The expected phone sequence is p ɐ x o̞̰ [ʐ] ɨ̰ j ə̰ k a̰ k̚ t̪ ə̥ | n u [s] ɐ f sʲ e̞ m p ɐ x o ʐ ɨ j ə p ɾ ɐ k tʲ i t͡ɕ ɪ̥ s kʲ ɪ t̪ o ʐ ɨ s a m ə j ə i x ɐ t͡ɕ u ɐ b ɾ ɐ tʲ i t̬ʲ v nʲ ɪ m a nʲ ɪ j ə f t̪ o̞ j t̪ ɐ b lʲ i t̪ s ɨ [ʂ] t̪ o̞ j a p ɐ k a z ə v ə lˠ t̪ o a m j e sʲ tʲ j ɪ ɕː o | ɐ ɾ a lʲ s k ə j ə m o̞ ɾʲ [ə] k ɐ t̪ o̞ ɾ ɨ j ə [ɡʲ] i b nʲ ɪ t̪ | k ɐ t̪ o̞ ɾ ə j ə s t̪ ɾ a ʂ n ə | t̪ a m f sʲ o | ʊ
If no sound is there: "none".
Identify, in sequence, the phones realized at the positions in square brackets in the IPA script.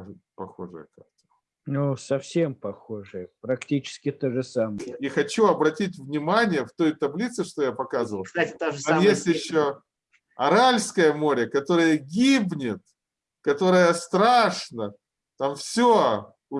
ʐ, s, ʂ, ə, ɡʲ

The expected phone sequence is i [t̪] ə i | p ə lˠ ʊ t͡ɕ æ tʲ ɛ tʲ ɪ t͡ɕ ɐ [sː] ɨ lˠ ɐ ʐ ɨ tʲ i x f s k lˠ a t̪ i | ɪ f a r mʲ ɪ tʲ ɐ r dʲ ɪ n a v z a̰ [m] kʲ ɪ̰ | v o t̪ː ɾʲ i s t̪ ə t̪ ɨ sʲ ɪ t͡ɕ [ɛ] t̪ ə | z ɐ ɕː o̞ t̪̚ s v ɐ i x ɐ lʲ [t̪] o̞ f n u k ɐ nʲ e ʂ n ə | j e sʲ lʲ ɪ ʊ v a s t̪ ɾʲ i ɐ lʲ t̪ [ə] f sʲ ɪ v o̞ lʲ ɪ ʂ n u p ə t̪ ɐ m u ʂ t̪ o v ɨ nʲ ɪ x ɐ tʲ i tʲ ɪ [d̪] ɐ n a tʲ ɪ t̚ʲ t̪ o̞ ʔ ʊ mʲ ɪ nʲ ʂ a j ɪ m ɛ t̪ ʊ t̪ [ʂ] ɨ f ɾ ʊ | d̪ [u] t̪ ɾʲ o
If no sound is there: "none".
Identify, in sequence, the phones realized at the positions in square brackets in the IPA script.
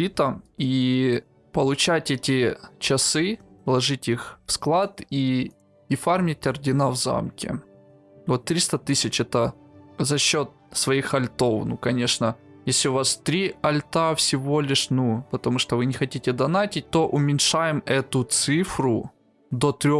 t̪, s, m, ɛ, t̪, a, d̪, s, o

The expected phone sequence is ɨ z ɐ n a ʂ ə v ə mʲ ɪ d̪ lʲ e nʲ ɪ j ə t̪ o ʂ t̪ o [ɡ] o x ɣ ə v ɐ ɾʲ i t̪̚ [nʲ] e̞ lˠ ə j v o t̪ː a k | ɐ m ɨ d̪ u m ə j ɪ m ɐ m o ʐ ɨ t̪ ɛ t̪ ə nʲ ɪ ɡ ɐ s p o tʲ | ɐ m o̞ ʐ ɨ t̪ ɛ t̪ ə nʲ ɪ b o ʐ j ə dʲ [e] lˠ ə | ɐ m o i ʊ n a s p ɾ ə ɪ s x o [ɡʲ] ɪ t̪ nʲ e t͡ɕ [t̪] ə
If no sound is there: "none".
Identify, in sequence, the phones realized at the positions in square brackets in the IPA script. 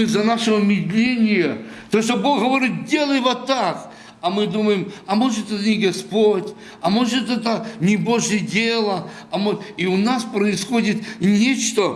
b, dʲ, e, dʲ, t̪

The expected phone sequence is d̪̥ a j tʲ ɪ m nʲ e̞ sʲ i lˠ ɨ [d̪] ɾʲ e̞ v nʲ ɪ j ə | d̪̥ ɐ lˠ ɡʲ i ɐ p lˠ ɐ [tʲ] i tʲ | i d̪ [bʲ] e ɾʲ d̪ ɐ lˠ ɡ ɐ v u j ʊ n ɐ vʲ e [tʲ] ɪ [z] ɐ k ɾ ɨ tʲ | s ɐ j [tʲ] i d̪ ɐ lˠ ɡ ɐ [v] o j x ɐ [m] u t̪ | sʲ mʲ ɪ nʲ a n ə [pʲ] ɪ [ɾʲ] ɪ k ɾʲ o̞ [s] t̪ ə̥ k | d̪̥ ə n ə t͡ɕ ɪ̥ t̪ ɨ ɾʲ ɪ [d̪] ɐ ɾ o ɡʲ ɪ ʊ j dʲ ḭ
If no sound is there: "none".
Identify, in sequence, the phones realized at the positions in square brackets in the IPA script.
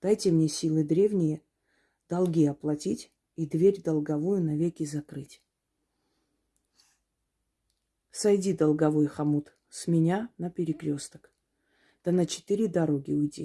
d̪, tʲ, vʲ, kʲ, z, dʲ, v, m, pʲ, ɾʲ, s, d̪

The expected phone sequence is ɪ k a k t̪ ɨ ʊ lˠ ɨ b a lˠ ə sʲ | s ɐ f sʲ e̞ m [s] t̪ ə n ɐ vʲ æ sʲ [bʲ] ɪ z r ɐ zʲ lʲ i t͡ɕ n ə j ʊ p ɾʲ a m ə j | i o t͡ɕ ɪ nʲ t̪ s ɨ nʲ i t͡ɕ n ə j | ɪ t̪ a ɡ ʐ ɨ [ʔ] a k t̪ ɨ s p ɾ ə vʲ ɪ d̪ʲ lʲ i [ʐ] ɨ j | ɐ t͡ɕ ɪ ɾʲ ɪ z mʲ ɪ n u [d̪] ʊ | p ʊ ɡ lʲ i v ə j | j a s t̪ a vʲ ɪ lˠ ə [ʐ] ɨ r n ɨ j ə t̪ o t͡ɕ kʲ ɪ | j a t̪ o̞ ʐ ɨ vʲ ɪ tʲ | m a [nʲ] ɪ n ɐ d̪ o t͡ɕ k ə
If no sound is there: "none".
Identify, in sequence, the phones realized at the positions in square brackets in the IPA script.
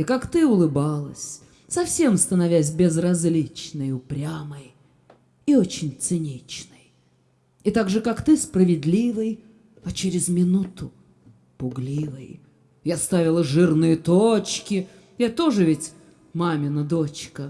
s, bʲ, k, v, t̪, ʐ, mʲ

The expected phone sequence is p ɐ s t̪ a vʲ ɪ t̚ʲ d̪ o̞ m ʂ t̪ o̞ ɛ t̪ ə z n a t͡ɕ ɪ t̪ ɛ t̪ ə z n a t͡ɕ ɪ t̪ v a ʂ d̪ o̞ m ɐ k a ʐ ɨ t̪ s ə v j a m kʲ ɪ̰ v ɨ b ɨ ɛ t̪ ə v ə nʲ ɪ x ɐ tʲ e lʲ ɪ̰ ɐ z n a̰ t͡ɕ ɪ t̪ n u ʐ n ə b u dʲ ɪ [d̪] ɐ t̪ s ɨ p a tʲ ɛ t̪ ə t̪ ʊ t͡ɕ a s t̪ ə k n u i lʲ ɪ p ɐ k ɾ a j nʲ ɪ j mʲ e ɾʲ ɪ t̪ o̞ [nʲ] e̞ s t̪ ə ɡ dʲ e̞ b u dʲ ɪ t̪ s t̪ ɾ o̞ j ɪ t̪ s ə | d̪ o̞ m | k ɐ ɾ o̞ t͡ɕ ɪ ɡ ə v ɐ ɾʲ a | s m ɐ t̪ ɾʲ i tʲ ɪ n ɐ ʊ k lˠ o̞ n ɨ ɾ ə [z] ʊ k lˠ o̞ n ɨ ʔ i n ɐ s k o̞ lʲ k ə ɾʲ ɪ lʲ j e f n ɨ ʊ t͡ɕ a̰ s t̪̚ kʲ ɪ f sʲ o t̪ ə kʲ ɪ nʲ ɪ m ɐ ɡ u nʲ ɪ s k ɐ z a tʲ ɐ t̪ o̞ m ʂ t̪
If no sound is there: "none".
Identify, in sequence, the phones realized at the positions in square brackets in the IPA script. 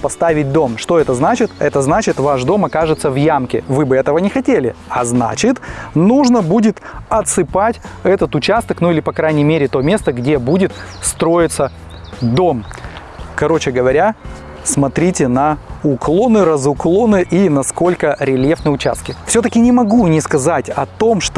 t̪, mʲ, z

